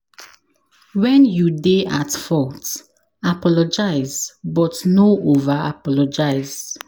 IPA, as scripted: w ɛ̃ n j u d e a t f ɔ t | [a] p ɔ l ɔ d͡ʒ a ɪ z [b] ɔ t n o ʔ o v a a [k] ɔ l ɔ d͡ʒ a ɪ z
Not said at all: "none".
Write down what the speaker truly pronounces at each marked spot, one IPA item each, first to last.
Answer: a, b, p

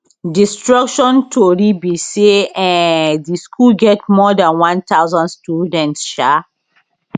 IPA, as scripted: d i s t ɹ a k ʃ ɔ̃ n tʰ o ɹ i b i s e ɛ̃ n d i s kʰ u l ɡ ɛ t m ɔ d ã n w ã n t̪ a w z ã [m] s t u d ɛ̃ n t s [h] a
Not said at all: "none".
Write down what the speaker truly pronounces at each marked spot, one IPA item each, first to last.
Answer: n, ʃ

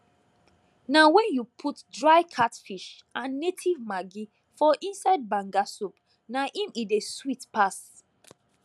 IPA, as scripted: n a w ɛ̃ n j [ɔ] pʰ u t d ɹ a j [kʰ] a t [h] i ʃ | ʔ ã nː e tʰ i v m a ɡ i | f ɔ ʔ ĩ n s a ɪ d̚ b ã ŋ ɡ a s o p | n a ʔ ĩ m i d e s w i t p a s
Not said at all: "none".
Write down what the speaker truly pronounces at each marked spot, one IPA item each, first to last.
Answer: u, kʰ, f

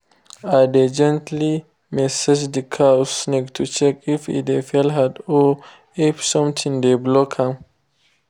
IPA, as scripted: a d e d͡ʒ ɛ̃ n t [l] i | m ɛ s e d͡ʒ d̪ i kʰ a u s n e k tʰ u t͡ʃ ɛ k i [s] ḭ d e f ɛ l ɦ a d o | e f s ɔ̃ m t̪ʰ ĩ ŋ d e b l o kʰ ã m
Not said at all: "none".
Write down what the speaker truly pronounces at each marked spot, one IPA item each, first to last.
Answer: l, f

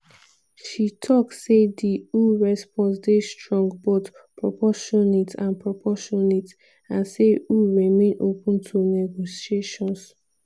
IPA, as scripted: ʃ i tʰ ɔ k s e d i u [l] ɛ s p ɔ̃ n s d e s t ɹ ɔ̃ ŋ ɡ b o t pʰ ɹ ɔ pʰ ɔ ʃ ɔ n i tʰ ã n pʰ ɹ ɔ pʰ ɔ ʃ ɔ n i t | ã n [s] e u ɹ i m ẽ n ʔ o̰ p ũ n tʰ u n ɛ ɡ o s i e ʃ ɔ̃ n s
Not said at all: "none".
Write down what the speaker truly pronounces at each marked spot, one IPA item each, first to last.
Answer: ɹ, s

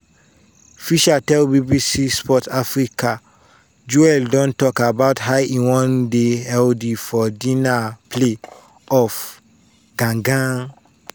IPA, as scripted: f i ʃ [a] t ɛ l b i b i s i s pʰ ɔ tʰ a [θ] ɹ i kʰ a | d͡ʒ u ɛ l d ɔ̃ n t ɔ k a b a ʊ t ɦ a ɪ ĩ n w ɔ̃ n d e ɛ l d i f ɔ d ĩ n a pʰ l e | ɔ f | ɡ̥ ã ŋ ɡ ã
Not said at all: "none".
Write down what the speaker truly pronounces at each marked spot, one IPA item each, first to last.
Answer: a, f

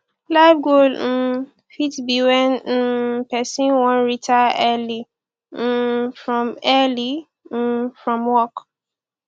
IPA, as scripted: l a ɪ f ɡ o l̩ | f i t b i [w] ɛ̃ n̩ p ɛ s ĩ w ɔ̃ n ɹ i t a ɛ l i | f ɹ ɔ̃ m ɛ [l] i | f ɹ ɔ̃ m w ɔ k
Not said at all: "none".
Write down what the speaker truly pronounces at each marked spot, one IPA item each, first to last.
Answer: w, l

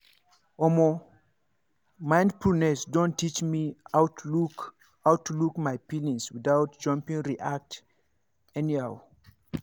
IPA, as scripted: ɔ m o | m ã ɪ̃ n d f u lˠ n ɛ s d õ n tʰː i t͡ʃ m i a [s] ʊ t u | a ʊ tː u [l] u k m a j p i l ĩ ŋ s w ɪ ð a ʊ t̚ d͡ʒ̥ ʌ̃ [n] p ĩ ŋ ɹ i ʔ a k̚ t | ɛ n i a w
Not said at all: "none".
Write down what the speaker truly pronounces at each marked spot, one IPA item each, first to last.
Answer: none, l, m

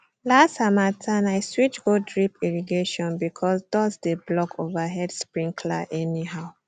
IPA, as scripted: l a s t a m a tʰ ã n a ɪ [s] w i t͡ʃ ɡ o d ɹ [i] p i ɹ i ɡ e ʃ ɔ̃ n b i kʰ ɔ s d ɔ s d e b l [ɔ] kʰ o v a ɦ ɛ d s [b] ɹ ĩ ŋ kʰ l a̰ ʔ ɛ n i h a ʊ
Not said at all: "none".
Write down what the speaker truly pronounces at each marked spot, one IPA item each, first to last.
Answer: s, i, ɔ, p

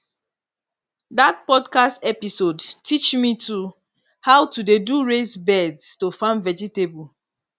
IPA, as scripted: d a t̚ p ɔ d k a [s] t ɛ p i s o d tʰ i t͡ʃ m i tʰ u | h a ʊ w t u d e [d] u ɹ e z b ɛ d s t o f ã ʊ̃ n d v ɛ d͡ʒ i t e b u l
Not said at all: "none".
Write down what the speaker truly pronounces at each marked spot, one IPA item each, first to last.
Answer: s, d

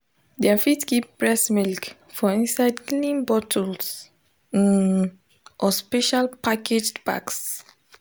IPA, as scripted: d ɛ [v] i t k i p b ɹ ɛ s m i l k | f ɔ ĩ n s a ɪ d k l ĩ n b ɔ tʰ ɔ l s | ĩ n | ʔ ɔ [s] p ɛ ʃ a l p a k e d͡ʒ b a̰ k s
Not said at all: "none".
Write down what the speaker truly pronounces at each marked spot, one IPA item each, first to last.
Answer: f, s

